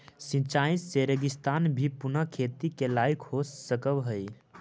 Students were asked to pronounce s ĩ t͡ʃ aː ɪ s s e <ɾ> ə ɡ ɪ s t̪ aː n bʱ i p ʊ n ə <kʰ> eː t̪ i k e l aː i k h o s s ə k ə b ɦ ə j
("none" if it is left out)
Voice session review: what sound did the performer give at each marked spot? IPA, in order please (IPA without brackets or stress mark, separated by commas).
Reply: ɾ, kʰ